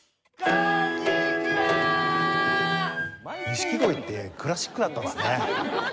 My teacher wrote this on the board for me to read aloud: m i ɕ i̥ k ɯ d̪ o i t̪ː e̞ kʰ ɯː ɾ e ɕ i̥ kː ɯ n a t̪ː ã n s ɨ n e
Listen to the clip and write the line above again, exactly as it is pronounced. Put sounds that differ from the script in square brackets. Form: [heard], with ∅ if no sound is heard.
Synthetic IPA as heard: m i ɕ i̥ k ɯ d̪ o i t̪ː e̞ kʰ [ɯ] ɾ [a] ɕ i̥ kː ɯ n a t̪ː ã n s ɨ n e

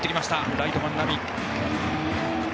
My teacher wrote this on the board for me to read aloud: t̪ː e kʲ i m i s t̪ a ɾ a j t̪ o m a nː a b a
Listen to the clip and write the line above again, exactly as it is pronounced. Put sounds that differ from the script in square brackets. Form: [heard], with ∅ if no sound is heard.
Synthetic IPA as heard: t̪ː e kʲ i m [a] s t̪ a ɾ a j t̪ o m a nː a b [i]

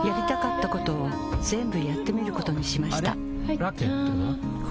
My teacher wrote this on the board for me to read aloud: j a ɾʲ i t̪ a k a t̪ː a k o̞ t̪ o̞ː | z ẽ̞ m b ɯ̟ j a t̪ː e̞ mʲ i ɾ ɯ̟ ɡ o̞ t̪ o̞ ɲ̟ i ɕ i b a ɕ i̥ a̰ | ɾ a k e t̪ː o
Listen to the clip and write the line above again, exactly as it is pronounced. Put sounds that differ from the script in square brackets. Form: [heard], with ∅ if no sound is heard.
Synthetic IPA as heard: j a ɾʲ i t̪ a k a t̪ː a k o̞ t̪ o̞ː | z ẽ̞ m b ɯ̟ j a t̪ː e̞ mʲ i ɾ ɯ̟ [k] o̞ t̪ o̞ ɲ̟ i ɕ i [m] a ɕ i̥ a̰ | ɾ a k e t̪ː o

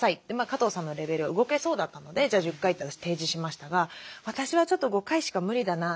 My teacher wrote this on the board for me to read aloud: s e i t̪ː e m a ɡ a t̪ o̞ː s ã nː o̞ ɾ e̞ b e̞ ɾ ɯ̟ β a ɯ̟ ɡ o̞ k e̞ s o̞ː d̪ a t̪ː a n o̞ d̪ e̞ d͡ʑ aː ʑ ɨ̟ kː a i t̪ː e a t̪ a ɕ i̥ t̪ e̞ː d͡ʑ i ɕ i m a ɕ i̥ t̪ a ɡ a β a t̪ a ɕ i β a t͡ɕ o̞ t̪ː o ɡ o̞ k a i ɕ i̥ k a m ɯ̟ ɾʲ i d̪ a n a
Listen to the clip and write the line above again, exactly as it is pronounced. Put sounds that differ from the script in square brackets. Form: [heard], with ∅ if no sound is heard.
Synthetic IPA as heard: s [a] i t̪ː e m a [k] a t̪ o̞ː s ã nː o̞ ɾ e̞ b e̞ ɾ ɯ̟ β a ɯ̟ ɡ o̞ k e̞ s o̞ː d̪ a t̪ː a n o̞ d̪ e̞ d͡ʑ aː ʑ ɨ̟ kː a i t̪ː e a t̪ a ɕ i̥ t̪ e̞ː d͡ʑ i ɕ i m a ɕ i̥ t̪ a ɡ a β a t̪ a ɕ i β a t͡ɕ o̞ t̪ː o ɡ o̞ k a i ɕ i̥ k a m ɯ̟ ɾʲ i d̪ a n a

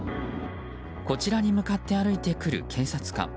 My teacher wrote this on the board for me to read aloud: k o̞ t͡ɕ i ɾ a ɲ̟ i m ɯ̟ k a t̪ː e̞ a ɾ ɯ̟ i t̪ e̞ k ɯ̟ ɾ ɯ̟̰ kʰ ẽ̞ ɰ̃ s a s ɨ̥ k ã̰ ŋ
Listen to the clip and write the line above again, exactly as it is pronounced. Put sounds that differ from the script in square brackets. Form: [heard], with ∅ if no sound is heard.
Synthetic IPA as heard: k o̞ t͡ɕ i ɾ a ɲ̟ i m ɯ̟ k a t̪ː e̞ a ɾ ɯ̟ i t̪ e̞ k ɯ̟ ɾ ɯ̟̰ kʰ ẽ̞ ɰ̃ s a [t͡s] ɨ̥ k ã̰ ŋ

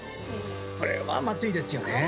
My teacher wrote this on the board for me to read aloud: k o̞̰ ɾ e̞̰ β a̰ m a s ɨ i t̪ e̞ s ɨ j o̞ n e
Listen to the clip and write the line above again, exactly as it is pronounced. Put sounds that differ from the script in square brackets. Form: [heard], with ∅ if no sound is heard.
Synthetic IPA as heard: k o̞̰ ɾ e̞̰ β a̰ m a [t͡s] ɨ i [d̪] e̞ s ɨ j o̞ n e

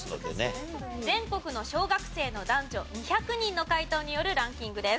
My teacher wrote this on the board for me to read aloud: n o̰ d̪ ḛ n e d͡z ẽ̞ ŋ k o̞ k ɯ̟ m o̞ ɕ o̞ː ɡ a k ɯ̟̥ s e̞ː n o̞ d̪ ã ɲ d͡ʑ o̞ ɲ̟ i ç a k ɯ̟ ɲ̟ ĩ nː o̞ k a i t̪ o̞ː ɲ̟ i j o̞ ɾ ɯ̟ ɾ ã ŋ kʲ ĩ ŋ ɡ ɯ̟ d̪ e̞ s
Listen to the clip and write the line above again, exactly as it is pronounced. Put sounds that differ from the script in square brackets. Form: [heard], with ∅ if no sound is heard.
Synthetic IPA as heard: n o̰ d̪ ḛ n e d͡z ẽ̞ ŋ k o̞ k ɯ̟ [n] o̞ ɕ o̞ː ɡ a k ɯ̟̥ s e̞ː n o̞ d̪ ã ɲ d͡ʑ o̞ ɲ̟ i ç a k ɯ̟ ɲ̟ ĩ nː o̞ k a i t̪ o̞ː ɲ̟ i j o̞ ɾ ɯ̟ ɾ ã ŋ kʲ ĩ ŋ ɡ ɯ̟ d̪ e̞ s

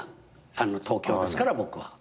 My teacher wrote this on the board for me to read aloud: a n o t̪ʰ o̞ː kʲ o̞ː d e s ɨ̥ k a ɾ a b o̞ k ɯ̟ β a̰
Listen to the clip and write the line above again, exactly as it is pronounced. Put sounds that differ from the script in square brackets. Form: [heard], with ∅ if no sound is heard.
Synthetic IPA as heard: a n o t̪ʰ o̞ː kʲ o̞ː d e s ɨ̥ k a ɾ a b o̞ k ɯ̟ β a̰

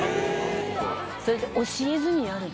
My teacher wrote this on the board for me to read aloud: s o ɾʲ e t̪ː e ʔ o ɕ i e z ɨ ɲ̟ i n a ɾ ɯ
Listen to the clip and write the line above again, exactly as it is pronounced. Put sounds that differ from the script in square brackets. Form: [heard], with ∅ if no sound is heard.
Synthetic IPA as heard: s o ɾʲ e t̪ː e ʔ o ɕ i e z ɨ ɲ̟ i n a ɾ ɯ

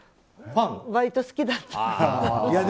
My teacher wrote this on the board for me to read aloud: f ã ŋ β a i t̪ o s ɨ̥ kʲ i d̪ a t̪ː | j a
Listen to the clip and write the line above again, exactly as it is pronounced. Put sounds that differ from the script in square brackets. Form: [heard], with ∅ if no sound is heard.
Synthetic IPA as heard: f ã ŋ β a i t̪ o s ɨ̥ kʲ i d̪ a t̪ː | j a

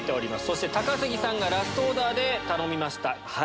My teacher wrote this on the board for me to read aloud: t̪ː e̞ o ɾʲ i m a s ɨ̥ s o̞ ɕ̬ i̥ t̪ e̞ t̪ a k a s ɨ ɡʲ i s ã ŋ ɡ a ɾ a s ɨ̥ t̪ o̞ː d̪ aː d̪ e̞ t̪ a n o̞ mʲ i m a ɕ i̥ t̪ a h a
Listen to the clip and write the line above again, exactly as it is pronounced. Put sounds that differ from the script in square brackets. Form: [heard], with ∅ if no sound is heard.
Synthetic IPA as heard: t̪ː e̞ o ɾʲ i m a s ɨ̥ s o̞ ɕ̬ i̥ t̪ e̞ t̪ a k a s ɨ ɡʲ i s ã ŋ ɡ a ɾ a s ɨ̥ t̪ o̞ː d̪ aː d̪ e̞ t̪ a n o̞ mʲ i m a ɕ i̥ t̪ a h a

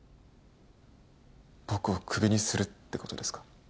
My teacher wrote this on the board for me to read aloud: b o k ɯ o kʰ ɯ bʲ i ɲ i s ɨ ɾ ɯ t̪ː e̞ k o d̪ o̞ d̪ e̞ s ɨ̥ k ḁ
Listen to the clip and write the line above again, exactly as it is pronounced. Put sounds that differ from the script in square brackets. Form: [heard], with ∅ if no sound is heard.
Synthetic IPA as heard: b o k ɯ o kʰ ɯ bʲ i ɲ i s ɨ ɾ ɯ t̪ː e̞ k o [t̪] o̞ d̪ e̞ s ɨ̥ k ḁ

